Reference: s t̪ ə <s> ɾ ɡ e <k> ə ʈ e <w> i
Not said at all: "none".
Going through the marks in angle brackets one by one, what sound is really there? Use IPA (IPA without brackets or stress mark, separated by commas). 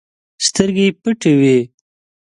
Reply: none, p, w